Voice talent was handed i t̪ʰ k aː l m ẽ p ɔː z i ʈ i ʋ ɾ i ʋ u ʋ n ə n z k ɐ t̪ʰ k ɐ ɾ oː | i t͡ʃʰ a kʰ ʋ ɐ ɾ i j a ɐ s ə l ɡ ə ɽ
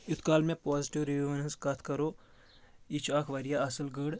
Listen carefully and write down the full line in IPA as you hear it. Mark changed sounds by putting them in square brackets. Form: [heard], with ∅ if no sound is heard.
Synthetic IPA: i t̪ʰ k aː l m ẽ p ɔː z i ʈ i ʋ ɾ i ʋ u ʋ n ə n [s] k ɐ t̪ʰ k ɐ ɾ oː | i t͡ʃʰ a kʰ ʋ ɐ ɾ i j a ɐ s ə l ɡ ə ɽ